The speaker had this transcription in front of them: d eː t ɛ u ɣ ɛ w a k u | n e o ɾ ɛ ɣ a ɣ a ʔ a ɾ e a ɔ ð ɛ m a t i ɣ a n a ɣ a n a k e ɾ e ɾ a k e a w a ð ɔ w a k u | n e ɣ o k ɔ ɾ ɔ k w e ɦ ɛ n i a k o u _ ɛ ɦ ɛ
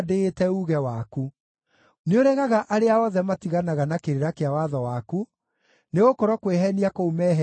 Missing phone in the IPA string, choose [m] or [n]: m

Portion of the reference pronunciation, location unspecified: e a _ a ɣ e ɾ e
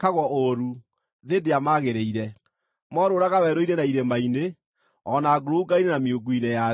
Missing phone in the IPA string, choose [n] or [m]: m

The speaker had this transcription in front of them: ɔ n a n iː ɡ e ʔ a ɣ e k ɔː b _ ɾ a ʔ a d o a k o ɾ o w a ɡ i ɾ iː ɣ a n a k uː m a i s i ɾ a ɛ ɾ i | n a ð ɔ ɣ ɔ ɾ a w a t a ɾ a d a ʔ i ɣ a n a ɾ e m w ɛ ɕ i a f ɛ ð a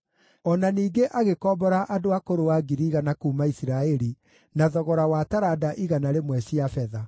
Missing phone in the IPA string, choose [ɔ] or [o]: ɔ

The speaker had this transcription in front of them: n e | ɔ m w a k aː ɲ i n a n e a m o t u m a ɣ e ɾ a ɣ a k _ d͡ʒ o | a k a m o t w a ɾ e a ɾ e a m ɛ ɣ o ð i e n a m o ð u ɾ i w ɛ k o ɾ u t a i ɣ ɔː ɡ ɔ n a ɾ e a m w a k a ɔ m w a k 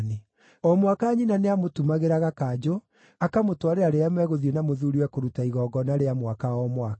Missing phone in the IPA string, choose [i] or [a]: a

